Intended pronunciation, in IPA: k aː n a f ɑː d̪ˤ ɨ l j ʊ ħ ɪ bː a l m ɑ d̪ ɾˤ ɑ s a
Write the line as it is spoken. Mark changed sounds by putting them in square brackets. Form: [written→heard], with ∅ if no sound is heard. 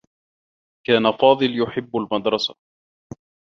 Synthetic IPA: k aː n a f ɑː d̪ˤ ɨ l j ʊ ħ ɪ bː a l m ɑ d̪ ɾˤ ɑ s a

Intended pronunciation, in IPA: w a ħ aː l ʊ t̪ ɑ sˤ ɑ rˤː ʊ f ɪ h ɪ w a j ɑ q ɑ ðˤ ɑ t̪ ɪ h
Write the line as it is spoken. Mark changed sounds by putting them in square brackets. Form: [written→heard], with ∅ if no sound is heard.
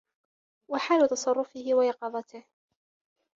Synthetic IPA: w a ħ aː l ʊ t̪ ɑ sˤ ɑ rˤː ʊ f ɪ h ɪ w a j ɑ q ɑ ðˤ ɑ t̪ ɪ h

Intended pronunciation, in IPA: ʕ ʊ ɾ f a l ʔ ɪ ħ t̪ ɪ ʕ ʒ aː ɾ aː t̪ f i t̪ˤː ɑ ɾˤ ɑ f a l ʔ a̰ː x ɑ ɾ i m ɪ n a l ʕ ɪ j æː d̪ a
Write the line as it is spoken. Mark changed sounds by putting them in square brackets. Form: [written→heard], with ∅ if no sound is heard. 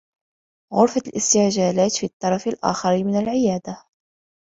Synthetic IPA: [ʕ→ɣ] ʊ ɾ f a l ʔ ɪ [ħ→s] t̪ ɪ ʕ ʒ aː [ɾ→l] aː t̪ f i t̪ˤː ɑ ɾˤ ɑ f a l ʔ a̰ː x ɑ ɾ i m ɪ n a l ʕ ɪ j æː d̪ a

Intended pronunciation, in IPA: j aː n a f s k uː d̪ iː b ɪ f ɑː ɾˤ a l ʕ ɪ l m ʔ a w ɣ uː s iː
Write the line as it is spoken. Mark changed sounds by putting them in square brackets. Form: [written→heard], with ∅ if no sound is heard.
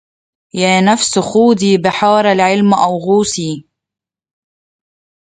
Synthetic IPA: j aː n a f s [k→x] uː d̪ iː b ɪ [f→ħ] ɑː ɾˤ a l ʕ ɪ l m ʔ a w ɣ uː s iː

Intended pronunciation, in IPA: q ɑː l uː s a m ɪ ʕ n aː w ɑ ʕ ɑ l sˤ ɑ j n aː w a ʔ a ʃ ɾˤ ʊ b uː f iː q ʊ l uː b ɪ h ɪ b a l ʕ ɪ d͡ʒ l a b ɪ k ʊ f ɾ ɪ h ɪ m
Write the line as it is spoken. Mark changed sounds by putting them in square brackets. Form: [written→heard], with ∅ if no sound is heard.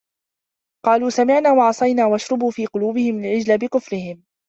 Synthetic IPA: q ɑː l uː s a m ɪ ʕ n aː w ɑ ʕ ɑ [l→∅] sˤ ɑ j n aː w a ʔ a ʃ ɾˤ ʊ b uː f iː q ʊ l uː b ɪ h ɪ [b→m] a l ʕ ɪ d͡ʒ l a b ɪ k ʊ f ɾ ɪ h ɪ m

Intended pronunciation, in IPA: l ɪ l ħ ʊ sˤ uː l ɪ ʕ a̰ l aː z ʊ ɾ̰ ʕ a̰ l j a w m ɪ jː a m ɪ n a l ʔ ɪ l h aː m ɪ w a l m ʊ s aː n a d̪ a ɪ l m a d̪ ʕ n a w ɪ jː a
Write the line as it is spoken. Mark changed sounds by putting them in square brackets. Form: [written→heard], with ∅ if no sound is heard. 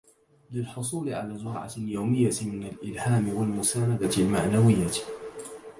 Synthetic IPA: l ɪ l ħ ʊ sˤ uː l ɪ ʕ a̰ l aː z ʊ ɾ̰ ʕ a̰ l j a w m ɪ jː a m ɪ n a l ʔ ɪ l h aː m ɪ w a l m ʊ s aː n a d̪ a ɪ l m a [d̪→∅] ʕ n a w ɪ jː a

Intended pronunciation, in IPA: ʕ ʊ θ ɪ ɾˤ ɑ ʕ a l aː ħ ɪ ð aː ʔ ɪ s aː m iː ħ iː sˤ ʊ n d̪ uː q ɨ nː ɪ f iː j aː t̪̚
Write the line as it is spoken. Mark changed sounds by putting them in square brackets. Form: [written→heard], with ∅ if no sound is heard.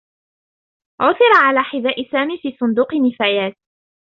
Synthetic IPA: ʕ ʊ θ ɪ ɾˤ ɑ ʕ a l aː ħ ɪ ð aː ʔ ɪ s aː m iː [ħ→f] iː sˤ ʊ n d̪ uː q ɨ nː ɪ f [iː→aː] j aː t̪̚

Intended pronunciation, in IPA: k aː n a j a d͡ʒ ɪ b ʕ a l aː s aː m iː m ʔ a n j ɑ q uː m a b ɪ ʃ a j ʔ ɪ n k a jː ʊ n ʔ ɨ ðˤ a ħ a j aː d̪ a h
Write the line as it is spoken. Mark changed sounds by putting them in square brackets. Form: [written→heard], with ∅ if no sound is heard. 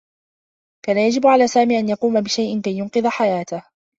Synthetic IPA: k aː n a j a d͡ʒ ɪ b ʕ a l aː s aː m iː [m→∅] ʔ a n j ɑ q uː m a b ɪ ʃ a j ʔ ɪ n k a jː ʊ n [ʔ→q] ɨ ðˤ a ħ a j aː [d̪→t̪] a h

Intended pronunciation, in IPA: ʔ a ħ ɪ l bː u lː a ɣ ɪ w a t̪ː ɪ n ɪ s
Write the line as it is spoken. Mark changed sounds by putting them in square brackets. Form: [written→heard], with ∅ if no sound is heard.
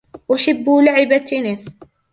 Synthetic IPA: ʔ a ħ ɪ [l→∅] bː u [lː→l] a [ɣ→ʕ] ɪ [w→b] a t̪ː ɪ n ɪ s

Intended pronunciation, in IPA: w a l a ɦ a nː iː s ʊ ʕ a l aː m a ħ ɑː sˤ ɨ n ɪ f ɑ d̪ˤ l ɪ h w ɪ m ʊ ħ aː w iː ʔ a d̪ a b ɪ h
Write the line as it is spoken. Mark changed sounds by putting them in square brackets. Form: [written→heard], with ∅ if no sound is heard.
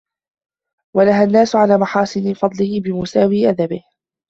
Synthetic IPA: w a l a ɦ a nː [iː→aː] s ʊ ʕ a l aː m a ħ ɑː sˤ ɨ n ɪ f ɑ d̪ˤ l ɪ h [w→b] ɪ m ʊ [ħ→s] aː w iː ʔ a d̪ a b ɪ h

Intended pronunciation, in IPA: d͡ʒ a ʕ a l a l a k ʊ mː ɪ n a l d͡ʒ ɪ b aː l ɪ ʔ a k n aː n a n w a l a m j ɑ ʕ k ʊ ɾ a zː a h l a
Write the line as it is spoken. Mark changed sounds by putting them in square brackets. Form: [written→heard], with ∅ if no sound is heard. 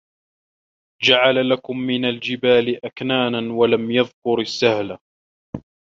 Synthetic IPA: d͡ʒ a ʕ a l a l a k ʊ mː ɪ n a l d͡ʒ ɪ b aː l ɪ ʔ a k n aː n a n w a l a m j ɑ [ʕ→ð] k ʊ ɾ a [zː→sː] a h l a

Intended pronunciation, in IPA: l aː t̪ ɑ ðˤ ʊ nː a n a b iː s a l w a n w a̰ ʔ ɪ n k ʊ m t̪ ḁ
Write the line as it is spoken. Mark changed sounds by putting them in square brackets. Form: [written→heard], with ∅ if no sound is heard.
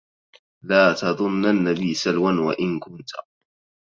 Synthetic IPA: l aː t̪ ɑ ðˤ ʊ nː a [n→nː] a b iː s a l w a n w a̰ ʔ ɪ n k ʊ [m→n] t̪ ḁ

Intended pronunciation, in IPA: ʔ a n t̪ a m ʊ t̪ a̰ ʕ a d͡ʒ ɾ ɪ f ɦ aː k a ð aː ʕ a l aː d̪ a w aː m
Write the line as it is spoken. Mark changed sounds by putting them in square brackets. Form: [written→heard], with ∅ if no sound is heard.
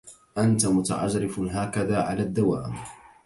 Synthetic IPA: ʔ a n t̪ a m ʊ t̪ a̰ ʕ a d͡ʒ ɾ ɪ f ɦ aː k a ð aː ʕ a l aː [d̪→d̪ː] a w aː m

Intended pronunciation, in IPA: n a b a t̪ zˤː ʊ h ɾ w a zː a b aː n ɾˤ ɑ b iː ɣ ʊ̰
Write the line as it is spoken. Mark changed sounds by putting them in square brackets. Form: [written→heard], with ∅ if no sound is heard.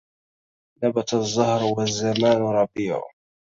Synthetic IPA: n a b a t̪ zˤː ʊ h ɾ w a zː a [b→m] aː n ɾˤ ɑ b iː [ɣ→ʕ] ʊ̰

